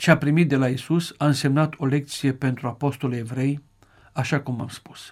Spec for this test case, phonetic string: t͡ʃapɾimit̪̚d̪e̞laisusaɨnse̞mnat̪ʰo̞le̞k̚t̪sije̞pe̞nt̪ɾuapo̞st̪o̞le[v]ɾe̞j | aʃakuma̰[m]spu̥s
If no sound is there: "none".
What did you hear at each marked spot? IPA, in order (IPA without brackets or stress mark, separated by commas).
v, m